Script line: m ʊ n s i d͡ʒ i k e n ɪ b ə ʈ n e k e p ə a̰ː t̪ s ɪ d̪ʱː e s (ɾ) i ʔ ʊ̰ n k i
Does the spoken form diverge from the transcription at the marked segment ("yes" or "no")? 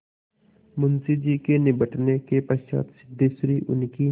no